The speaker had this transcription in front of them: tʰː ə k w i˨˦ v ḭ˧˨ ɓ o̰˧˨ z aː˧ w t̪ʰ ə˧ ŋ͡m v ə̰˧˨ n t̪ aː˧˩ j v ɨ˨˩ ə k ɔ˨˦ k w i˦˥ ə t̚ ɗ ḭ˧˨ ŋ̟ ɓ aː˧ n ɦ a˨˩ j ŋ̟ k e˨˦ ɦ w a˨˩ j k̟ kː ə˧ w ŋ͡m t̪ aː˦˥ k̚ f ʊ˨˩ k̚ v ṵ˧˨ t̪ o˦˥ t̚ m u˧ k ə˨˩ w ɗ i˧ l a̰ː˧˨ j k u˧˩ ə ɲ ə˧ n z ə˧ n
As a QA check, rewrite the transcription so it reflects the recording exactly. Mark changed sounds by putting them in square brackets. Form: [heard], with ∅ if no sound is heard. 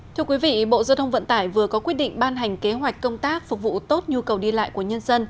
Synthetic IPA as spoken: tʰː ə k w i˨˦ v ḭ˧˨ ɓ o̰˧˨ z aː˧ w t̪ʰ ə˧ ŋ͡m v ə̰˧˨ n t̪ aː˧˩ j v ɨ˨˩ ə k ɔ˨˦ k w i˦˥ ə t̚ ɗ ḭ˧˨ ŋ̟ ɓ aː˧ n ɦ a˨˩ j ŋ̟ k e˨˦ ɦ w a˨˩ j k̟ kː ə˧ w ŋ͡m t̪ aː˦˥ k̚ f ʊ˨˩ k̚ v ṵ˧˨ t̪ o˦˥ t̚ [ɲ] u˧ k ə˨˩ w ɗ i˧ l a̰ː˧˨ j k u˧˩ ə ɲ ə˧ n z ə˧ n

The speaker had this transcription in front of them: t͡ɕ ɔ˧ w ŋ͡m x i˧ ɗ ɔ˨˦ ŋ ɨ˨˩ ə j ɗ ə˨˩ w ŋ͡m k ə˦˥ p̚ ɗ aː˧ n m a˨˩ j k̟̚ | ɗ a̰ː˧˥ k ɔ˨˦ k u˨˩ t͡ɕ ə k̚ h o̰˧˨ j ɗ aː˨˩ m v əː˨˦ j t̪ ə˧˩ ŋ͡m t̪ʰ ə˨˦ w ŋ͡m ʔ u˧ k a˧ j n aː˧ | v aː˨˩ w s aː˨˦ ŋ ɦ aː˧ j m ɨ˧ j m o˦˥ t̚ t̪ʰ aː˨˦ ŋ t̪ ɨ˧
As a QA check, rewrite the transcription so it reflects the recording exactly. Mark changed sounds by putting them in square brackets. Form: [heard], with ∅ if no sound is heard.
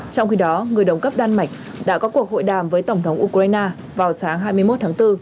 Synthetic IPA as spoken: t͡ɕ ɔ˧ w ŋ͡m x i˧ ɗ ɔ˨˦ ŋ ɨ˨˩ ə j ɗ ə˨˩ w ŋ͡m k ə˦˥ p̚ ɗ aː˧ n m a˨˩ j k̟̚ | ɗ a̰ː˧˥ k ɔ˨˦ k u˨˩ [∅] ə k̚ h o̰˧˨ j ɗ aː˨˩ m v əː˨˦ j t̪ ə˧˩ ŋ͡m t̪ʰ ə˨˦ w ŋ͡m ʔ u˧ k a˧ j n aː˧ | v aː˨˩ w s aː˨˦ ŋ ɦ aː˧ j m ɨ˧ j m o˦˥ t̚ t̪ʰ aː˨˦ ŋ t̪ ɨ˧

